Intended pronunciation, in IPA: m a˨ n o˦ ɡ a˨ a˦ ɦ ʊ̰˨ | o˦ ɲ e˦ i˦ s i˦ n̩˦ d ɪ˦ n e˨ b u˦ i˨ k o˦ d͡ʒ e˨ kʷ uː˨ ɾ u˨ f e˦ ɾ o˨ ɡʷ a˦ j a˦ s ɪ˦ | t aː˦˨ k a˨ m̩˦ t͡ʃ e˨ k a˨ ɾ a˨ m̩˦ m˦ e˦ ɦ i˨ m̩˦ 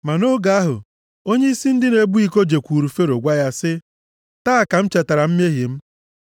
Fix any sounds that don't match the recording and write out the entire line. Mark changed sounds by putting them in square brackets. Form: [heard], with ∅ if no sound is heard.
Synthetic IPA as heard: m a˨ n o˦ ɡ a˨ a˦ ɦ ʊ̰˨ | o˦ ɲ e˦ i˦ s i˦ n̩˦ d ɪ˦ n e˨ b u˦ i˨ k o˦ d͡ʒ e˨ kʷ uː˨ ɾ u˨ f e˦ ɾ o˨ ɡʷ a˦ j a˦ s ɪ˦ | t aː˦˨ k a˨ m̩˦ t͡ʃ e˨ [t] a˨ ɾ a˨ m̩˦ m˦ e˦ ɦ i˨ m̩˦

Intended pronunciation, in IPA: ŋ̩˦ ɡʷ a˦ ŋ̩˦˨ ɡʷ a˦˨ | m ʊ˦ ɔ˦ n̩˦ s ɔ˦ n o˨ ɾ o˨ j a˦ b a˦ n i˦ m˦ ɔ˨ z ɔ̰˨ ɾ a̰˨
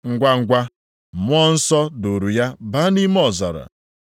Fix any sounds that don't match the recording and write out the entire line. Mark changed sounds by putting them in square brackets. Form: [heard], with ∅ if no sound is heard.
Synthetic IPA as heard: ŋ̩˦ ɡʷ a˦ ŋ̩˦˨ ɡʷ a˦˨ | m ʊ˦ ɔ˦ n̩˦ s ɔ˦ [d] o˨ ɾ [u˨] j a˦ b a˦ n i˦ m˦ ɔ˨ z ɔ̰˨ ɾ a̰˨

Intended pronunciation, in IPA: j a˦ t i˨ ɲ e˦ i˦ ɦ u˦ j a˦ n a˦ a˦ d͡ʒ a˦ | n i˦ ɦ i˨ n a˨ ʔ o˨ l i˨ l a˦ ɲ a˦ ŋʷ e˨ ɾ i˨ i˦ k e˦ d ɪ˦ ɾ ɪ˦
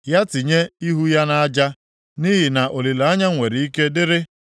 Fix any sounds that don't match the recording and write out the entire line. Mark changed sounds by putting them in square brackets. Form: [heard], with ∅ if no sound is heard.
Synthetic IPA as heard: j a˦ t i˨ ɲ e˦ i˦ ɦ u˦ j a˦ n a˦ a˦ d͡ʒ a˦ | n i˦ ɦ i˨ n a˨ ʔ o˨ l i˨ l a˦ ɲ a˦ ŋʷ e˨ ɾ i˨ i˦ k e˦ d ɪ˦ ɾ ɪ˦

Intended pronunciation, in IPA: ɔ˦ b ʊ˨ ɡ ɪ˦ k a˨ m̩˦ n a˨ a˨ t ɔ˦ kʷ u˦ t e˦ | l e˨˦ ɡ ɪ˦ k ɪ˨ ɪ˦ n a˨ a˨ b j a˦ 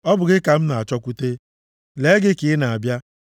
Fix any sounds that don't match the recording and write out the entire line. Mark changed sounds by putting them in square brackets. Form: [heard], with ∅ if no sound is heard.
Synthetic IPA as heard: ɔ˦ b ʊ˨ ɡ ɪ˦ k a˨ m̩˦ n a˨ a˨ [t͡ʃ] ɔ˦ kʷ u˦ t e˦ | l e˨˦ ɡ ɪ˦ k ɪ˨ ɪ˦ n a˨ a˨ b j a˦

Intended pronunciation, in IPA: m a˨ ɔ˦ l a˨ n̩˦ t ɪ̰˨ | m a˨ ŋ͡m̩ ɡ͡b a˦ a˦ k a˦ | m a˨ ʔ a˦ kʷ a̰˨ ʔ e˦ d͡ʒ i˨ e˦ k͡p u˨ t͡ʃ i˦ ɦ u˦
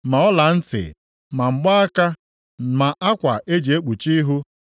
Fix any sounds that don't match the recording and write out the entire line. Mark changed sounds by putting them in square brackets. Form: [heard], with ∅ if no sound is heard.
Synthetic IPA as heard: m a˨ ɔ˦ l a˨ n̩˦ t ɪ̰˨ | m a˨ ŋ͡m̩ ɡ͡b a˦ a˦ k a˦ | m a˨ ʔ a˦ kʷ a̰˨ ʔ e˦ d͡ʒ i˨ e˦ k͡p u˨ t͡ʃ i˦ ɦ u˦

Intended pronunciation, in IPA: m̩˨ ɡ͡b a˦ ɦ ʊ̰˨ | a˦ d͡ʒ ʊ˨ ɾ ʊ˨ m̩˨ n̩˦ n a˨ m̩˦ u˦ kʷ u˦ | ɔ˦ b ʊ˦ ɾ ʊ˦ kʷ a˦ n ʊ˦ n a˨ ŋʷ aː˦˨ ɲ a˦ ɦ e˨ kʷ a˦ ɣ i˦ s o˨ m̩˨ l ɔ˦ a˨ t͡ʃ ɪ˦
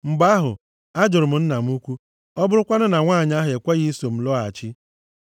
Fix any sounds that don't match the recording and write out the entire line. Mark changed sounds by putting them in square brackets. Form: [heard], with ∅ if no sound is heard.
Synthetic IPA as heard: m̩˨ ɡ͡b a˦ ɦ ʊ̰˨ | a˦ d͡ʒ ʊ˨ ɾ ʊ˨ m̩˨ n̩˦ n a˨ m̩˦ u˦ kʷ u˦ | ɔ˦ b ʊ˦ ɾ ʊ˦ kʷ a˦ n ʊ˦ n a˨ ŋʷ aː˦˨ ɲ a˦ ɦ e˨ kʷ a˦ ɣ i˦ s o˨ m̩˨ l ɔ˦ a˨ t͡ʃ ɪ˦

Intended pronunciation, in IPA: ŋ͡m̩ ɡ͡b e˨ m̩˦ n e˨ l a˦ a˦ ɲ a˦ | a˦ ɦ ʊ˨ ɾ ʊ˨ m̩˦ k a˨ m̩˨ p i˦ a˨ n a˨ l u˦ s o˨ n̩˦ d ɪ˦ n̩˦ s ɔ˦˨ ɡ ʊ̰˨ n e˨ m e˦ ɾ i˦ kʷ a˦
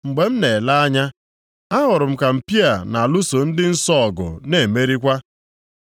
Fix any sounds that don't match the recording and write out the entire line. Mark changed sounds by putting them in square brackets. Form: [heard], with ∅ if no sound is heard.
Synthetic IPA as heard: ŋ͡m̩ ɡ͡b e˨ m̩˦ n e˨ l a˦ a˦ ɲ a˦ | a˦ ɦ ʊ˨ ɾ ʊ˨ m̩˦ k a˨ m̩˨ p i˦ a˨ n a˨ l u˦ s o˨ n̩˦ d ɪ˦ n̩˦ s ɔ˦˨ ɡ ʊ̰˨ n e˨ m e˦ ɾ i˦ kʷ a˦

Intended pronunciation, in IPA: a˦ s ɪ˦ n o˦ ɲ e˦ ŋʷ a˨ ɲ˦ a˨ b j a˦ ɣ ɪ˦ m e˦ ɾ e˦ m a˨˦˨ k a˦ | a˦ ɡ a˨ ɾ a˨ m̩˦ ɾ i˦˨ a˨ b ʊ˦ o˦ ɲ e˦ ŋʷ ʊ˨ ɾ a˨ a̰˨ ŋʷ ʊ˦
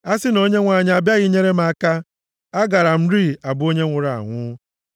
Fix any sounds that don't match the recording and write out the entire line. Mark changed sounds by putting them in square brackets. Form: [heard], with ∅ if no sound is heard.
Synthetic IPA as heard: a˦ s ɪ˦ n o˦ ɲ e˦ ŋʷ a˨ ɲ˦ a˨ b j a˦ ɣ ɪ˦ [ɲ] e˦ ɾ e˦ m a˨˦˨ k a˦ | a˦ ɡ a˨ ɾ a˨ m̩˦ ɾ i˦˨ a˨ b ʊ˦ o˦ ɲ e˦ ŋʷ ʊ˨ ɾ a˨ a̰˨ ŋʷ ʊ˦

